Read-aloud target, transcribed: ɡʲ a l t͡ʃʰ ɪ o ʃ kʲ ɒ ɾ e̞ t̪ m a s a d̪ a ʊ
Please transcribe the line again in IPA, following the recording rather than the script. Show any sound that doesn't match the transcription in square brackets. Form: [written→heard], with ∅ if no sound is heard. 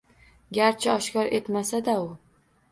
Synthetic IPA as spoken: ɡʲ a [l→ɾ] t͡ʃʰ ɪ [o→ɒ] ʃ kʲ ɒ ɾ e̞ t̪ m a s a d̪ a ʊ